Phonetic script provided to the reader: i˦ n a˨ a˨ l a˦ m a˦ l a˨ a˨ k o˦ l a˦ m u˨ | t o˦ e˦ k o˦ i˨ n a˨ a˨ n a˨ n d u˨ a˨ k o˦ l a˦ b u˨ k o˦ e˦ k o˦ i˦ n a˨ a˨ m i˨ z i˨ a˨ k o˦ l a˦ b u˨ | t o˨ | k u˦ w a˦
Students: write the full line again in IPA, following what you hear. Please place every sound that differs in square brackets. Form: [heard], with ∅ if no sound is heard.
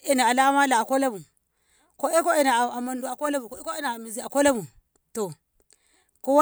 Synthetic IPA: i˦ n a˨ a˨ l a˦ m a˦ l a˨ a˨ k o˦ l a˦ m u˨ | [k] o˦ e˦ k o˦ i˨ n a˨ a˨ [m] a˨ n d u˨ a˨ k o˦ l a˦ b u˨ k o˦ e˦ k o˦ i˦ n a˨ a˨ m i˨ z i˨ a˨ k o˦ l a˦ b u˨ | t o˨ | k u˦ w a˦